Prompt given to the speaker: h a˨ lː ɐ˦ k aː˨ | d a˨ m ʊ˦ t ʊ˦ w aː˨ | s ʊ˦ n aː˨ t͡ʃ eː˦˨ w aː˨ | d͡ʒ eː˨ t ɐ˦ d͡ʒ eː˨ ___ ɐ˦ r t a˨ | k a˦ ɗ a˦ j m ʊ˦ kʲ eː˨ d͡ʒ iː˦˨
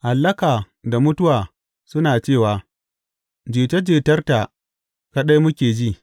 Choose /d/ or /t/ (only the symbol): t